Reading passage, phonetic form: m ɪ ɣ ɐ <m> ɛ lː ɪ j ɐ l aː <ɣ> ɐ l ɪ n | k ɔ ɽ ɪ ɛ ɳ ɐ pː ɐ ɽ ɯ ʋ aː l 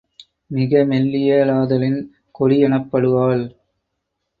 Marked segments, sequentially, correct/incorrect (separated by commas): correct, incorrect